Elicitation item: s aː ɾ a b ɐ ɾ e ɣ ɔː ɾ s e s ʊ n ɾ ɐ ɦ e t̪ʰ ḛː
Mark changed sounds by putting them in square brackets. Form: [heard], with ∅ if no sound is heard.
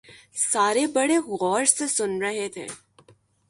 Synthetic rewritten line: s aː ɾ [e] b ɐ [ɽ] e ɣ ɔː ɾ s e s ʊ n ɾ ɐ ɦ e t̪ʰ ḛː